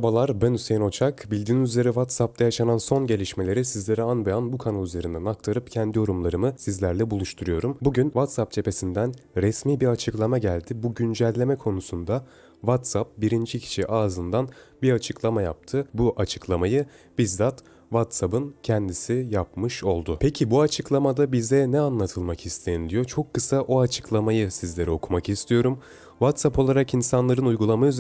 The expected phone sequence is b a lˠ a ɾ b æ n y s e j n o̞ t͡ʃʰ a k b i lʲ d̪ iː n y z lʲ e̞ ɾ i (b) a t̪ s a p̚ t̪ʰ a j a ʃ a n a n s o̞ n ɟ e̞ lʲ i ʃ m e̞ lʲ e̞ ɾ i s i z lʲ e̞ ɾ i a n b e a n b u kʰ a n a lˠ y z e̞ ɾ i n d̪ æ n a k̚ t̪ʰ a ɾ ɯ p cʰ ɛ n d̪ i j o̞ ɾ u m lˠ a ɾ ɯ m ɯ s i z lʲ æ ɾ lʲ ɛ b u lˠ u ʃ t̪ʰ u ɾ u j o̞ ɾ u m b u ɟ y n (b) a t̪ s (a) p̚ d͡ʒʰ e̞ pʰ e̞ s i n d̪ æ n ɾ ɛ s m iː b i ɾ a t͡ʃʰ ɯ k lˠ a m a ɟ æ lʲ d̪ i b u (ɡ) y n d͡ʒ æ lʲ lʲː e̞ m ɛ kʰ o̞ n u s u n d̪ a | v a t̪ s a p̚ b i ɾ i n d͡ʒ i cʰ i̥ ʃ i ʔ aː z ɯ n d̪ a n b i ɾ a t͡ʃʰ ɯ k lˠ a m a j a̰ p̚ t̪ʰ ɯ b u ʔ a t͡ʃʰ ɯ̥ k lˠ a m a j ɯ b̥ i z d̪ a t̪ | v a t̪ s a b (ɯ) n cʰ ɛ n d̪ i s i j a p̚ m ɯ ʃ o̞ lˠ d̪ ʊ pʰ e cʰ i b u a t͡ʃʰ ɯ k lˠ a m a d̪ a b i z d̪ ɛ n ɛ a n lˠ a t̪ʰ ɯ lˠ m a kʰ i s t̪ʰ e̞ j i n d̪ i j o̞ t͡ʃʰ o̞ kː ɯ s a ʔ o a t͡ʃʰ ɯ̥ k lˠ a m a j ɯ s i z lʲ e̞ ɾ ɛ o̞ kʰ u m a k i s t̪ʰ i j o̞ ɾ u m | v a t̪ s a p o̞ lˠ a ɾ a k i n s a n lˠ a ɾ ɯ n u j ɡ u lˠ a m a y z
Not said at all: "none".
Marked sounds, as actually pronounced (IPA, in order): v, v, a, ɟ, ɯ

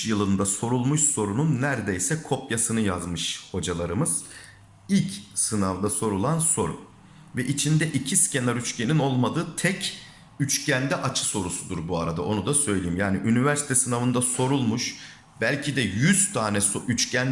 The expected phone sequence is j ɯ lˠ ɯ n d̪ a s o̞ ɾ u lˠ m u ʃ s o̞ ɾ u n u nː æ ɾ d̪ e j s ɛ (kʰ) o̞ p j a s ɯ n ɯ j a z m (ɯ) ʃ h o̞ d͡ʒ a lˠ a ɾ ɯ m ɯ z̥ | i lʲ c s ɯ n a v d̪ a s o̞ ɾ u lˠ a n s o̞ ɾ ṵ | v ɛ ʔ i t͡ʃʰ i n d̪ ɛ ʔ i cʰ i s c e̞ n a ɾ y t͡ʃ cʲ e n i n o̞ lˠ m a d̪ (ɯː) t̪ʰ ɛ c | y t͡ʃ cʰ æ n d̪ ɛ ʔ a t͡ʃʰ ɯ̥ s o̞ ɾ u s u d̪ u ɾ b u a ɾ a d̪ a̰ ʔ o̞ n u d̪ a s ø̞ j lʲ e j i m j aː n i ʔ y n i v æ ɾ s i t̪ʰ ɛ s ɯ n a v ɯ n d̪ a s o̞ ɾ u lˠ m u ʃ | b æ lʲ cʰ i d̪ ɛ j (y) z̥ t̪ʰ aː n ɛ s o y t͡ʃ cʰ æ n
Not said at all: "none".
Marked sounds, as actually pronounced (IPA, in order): kʰ, ɯ, ɯː, y

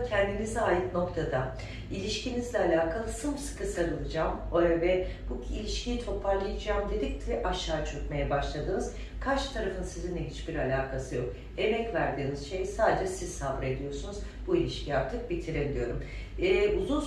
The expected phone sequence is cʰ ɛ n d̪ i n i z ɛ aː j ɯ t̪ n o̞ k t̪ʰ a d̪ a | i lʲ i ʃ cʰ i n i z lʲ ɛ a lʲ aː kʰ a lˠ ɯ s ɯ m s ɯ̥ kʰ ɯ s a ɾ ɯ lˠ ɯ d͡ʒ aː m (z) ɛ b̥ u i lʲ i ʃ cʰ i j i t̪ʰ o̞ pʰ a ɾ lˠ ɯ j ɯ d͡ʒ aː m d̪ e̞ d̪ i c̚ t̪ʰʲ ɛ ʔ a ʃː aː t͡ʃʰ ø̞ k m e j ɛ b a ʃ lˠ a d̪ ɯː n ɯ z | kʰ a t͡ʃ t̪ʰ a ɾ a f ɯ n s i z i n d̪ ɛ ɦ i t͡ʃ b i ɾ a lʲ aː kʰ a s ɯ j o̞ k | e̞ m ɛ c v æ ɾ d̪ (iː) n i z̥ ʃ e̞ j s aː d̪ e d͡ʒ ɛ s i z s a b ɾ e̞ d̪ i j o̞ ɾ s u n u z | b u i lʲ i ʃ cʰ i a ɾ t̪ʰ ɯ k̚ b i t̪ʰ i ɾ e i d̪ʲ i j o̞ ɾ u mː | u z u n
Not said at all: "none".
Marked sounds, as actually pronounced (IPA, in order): v, iː

